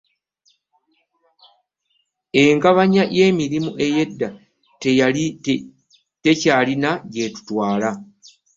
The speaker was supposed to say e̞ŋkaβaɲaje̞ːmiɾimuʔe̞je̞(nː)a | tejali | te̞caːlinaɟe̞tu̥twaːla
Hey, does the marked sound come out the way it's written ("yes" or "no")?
no